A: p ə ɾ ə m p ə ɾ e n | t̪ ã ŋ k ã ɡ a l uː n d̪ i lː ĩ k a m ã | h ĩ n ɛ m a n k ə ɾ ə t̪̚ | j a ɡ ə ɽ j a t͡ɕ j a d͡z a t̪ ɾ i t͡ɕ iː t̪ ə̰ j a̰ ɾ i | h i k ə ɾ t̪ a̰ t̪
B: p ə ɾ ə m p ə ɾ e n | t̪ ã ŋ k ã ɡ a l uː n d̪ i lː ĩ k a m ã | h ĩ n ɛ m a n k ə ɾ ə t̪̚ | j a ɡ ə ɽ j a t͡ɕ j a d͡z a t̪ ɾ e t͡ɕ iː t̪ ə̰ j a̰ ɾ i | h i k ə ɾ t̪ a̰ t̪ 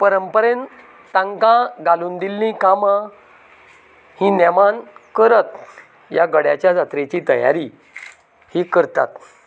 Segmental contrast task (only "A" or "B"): B